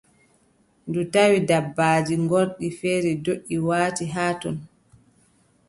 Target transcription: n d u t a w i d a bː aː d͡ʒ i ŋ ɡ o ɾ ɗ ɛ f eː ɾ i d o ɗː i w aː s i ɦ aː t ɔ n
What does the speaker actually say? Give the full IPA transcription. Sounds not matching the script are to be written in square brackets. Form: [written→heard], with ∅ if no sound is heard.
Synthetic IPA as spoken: n d u t a w i d a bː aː d͡ʒ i ŋ ɡ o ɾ ɗ [ɛ→i] f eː ɾ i d o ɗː i w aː [s→t] i ɦ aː t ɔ n